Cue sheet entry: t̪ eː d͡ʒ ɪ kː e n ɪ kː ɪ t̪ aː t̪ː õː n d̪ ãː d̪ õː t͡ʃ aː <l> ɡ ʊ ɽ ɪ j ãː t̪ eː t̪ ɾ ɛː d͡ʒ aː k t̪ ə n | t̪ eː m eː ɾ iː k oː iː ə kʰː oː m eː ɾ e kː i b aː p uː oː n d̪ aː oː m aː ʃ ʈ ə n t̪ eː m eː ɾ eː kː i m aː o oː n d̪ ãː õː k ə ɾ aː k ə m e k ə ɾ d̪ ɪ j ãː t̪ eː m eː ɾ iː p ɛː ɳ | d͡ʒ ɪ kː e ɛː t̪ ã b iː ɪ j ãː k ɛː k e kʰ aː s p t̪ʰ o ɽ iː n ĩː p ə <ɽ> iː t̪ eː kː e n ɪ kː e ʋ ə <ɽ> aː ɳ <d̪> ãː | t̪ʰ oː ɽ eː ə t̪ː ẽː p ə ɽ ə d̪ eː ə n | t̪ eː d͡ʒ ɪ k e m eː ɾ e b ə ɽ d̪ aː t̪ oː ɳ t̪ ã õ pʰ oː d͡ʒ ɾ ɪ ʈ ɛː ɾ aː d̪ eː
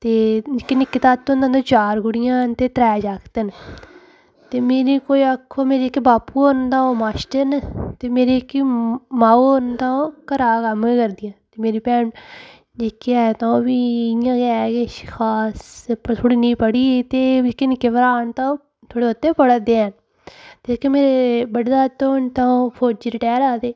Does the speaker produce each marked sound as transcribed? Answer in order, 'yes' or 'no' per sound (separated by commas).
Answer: no, yes, no, no